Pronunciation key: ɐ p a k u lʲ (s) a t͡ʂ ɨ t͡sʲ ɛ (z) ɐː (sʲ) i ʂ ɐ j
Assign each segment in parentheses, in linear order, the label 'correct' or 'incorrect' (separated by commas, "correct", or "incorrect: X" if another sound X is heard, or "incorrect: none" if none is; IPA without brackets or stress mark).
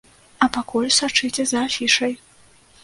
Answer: correct, correct, incorrect: fʲ